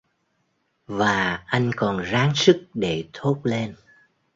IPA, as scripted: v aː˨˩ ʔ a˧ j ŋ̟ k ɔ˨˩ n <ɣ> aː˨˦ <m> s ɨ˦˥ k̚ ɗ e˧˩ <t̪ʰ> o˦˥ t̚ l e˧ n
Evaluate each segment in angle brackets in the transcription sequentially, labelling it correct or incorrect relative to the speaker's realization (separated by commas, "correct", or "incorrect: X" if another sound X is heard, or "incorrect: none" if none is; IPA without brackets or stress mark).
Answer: incorrect: z, incorrect: ŋ, correct